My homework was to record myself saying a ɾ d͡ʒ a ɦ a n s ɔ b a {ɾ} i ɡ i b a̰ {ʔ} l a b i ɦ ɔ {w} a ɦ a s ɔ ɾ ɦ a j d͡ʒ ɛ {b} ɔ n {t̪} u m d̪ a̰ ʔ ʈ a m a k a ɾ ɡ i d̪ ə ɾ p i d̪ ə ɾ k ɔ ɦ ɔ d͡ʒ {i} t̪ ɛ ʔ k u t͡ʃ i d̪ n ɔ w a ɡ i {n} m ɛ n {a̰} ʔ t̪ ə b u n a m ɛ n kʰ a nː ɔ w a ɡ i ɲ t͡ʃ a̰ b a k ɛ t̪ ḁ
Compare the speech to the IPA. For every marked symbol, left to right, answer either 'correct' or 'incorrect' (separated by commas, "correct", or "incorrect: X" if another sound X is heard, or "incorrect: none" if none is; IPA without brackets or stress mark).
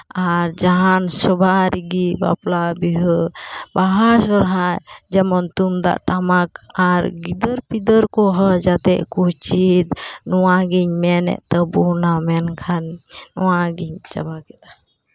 correct, incorrect: p, incorrect: b, incorrect: m, correct, incorrect: a, incorrect: ɲ, incorrect: ɛ̰